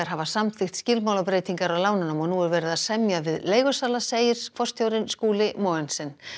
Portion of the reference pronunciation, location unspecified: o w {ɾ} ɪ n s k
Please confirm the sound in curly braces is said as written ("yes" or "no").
yes